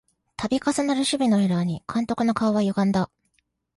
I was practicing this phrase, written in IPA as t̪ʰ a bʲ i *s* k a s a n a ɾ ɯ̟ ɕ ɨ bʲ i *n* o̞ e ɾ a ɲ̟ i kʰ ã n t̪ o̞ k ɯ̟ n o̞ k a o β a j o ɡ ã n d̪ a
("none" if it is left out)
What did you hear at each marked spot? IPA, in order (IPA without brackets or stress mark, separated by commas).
none, n